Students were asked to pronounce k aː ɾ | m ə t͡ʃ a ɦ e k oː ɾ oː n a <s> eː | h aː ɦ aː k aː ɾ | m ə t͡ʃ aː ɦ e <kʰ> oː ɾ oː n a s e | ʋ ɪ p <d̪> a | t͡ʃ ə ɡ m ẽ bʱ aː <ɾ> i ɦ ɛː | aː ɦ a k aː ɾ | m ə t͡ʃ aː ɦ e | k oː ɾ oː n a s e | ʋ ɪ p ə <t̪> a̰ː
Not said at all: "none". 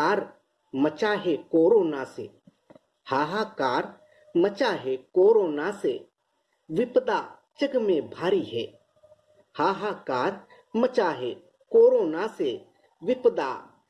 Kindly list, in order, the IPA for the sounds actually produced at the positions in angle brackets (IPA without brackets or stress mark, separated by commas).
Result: s, k, d̪, ɾ, d̪